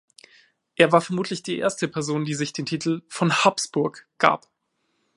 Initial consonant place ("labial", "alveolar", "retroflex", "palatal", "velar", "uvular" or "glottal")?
glottal